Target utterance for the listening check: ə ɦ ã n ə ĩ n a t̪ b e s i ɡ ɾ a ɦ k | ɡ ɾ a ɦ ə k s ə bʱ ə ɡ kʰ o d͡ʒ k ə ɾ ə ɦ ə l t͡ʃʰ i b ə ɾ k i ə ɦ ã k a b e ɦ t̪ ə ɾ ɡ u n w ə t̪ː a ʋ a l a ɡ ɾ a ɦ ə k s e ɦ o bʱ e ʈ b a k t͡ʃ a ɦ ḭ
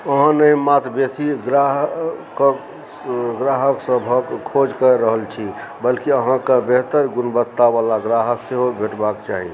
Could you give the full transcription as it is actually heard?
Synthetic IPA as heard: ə ɦ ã n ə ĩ m a t̪ b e s i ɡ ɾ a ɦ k | ɡ ɾ a ɦ ə k s ə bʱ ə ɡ kʰ o d͡ʒ k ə ɾ ə ɦ ə l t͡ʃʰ i b ə l k i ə ɦ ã k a b e ɦ t̪ ə ɾ ɡ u n b ə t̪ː a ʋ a l a ɡ ɾ a ɦ ə k s e ɦ o bʱ e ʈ b a k t͡ʃ a ɦ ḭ